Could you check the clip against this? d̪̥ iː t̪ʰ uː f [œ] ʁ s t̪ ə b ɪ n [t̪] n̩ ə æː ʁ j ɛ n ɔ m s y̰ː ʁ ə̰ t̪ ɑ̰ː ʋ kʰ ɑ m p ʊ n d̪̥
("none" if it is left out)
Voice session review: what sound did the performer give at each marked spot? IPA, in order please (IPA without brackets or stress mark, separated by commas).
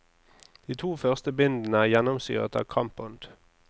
œ, d̪